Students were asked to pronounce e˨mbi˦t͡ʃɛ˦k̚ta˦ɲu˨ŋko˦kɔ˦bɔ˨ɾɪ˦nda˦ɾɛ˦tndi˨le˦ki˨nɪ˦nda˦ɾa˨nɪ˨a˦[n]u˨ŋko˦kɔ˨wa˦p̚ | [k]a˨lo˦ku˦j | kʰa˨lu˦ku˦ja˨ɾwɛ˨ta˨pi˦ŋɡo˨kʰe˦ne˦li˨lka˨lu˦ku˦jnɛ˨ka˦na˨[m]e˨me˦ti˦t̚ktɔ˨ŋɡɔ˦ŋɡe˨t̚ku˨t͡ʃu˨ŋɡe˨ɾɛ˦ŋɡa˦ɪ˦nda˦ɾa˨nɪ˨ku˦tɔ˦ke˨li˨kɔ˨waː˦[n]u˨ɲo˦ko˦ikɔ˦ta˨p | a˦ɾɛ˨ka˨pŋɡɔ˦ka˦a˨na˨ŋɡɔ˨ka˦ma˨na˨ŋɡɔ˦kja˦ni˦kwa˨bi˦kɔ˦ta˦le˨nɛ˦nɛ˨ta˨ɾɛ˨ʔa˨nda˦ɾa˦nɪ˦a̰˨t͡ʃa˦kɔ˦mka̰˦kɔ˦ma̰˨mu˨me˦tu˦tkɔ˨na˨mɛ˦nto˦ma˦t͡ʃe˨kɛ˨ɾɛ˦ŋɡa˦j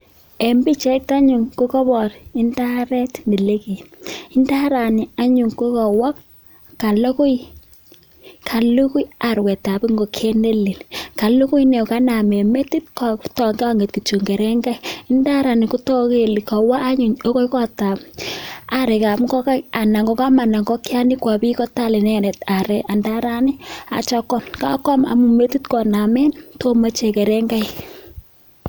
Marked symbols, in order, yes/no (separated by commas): no, yes, yes, no